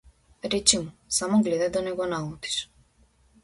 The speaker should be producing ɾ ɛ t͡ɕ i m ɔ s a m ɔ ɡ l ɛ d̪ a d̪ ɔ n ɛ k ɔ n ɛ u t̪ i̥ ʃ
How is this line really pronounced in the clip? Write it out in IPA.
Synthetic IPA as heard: ɾ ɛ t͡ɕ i m u s a m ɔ ɡ l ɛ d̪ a d̪ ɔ n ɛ ɡ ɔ n a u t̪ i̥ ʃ

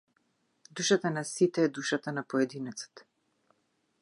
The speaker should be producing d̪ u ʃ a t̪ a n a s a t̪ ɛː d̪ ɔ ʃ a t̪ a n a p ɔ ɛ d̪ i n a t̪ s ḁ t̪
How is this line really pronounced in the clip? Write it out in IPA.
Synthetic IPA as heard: d̪ u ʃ a t̪ a n a s i t̪ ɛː d̪ u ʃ a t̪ a n a p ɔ ɛ d̪ i n ɛ t̪ s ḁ t̪

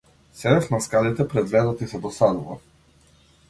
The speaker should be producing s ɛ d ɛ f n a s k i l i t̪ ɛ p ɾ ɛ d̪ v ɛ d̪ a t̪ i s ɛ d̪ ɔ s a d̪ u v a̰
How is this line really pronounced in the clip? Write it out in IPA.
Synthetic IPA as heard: s ɛ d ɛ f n a s k a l i t̪ ɛ p ɾ ɛ d̪ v ɛ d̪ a t̪ i s ɛ d̪ ɔ s a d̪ u v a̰

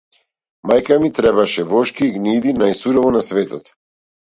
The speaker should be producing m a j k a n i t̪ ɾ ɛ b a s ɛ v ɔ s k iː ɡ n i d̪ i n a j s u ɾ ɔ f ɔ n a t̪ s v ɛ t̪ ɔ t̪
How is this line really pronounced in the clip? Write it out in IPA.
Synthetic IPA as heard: m a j k a m i t̪ ɾ ɛ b a ʃ ɛ v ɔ ʃ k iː ɡ n i d̪ i n a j s u ɾ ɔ v ɔ n a s v ɛ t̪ ɔ t̪

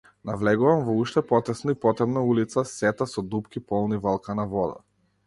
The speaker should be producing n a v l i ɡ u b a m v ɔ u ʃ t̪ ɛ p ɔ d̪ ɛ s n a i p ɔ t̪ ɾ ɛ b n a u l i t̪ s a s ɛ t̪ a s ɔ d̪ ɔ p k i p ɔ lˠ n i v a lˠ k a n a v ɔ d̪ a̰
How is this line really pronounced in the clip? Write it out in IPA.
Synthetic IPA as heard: n a v l ɛ ɡ u v a m v ɔ u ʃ t̪ ɛ p ɔ t̪ ɛ s n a i p ɔ t̪ ɾ ɛ b n a u l i t̪ s a s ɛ t̪ a s ɔ d̪ u p k i p ɔ lˠ n i v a lˠ k a n a v ɔ d̪ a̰

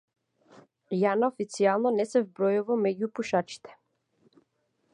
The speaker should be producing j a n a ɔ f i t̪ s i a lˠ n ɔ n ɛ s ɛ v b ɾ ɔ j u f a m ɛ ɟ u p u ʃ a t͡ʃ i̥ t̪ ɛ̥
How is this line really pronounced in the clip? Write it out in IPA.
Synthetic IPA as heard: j a n a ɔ f i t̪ s i a lˠ n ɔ n ɛ s ɛ v b ɾ ɔ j u v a m ɛ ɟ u p u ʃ a t͡ʃ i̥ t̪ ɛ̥

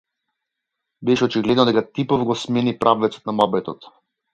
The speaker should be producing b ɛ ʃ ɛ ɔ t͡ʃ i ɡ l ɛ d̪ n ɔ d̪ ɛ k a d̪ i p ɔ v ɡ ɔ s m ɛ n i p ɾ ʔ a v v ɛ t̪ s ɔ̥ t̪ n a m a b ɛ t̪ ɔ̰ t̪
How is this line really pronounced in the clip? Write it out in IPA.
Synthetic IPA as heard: b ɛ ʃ ɛ ɔ t͡ʃ i ɡ l ɛ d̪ n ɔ d̪ ɛ k a t̪ i p ɔ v ɡ ɔ s m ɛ n i p ɾ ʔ a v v ɛ t̪ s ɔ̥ t̪ n a m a b ɛ t̪ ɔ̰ t̪

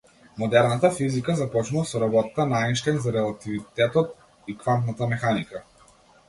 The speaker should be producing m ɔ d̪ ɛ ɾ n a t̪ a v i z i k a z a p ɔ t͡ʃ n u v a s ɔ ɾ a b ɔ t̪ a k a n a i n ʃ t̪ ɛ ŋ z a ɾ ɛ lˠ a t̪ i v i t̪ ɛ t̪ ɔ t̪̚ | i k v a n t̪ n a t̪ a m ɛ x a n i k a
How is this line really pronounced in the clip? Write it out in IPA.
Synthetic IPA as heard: m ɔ d̪ ɛ ɾ n a t̪ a f i z i k a z a p ɔ t͡ʃ n u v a s ɔ ɾ a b ɔ t̪ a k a n a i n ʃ t̪ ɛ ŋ z a ɾ ɛ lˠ a t̪ i v i t̪ ɛ t̪ ɔ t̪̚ | i k v a n t̪ n a t̪ a m ɛ x a n i k a

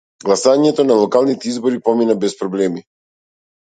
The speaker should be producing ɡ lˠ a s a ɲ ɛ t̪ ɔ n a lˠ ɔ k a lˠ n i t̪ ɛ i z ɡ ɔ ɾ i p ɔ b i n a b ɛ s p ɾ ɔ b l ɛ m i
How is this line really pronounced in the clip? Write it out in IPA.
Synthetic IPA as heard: ɡ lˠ a s a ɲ ɛ t̪ ɔ n a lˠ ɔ k a lˠ n i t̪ ɛ i z b ɔ ɾ i p ɔ m i n a b ɛ s p ɾ ɔ b l ɛ m i

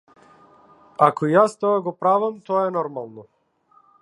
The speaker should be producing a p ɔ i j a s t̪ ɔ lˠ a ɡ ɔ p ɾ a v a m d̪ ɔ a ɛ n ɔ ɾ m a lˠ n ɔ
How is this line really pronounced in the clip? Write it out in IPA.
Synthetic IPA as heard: a k ɔ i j a s t̪ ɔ a ɡ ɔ p ɾ a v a m t̪ ɔ a ɛ n ɔ ɾ m a lˠ n ɔ

